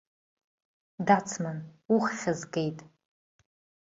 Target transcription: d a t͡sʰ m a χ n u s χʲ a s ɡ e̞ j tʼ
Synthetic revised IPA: d a t͡sʰ m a n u χ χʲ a z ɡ e̞ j tʼ